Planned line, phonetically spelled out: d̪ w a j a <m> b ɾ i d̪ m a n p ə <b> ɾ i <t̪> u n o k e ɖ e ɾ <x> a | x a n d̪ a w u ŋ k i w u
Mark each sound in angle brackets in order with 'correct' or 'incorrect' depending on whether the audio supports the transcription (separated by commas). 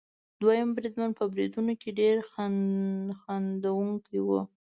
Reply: correct, correct, incorrect, correct